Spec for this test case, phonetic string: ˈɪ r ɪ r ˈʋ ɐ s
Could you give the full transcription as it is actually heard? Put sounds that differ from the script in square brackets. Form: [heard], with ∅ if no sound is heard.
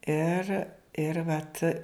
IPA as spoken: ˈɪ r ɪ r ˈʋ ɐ [t]